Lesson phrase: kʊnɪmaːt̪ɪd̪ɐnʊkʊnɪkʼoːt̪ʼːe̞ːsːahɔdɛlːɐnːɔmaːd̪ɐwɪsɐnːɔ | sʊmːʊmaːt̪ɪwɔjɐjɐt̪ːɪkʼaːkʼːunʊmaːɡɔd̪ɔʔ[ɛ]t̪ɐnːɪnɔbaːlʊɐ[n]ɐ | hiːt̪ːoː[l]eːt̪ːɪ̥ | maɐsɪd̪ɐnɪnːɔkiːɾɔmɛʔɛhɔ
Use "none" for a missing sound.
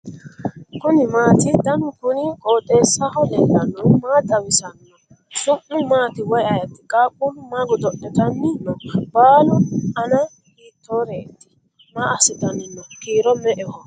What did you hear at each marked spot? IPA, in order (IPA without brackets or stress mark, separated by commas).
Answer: ɛ, n, ɾ